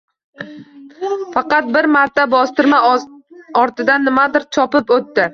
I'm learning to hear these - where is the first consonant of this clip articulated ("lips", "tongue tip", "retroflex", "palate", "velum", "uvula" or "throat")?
lips